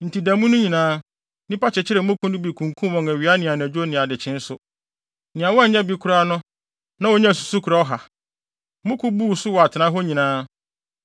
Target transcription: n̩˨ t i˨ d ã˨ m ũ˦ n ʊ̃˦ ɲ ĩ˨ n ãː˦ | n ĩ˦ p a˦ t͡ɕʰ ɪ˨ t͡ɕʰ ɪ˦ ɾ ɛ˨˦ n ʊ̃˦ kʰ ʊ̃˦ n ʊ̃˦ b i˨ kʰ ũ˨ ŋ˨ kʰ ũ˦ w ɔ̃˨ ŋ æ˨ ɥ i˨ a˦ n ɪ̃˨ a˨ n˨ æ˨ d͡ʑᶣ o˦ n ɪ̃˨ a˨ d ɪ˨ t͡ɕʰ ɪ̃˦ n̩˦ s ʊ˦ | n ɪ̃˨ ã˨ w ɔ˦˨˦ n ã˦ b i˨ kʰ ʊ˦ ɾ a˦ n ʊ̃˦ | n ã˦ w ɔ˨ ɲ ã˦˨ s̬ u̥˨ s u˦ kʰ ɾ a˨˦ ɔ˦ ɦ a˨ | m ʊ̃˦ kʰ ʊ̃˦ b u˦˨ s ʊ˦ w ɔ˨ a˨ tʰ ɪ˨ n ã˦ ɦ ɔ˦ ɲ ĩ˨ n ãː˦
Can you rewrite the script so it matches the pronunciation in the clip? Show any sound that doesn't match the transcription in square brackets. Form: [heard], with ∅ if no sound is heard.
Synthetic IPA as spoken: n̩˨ t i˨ d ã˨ m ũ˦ n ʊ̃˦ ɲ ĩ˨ n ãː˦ | n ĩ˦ p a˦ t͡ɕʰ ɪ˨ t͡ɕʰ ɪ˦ ɾ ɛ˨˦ [m] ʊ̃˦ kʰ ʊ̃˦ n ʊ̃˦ b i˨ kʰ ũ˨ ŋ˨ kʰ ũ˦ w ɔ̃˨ ŋ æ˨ ɥ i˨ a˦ n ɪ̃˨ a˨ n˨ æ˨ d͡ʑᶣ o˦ n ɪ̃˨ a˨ d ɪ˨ t͡ɕʰ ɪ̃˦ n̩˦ s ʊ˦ | n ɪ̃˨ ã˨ w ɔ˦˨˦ [ɲ] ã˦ b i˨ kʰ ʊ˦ ɾ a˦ n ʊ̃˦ | n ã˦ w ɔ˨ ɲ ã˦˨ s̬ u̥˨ s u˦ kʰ ɾ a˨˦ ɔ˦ ɦ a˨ | m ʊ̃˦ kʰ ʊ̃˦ b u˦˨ s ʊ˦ w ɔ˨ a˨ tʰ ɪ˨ n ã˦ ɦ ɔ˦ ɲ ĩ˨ n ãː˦